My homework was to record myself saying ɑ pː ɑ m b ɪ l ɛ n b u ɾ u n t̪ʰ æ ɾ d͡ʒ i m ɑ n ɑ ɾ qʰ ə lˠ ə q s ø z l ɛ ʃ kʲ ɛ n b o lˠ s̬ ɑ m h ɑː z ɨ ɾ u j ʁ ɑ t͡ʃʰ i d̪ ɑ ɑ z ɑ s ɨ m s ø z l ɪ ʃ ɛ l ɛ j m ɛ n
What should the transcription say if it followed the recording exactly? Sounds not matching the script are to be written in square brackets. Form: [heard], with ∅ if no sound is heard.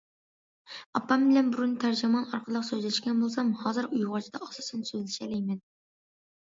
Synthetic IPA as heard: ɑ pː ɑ m b ɪ l ɛ n b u ɾ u n t̪ʰ æ ɾ d͡ʒ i m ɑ n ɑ ɾ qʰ ə lˠ ə q s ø z l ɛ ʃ kʲ ɛ n b o lˠ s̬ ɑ m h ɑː z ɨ ɾ u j ʁ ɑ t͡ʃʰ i d̪ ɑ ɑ [s] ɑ s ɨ [n] s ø z l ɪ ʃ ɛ l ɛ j m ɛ n